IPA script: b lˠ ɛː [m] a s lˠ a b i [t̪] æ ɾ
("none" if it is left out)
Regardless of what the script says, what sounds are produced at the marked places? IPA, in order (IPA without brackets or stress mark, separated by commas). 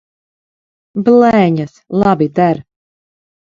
ɲ, d̪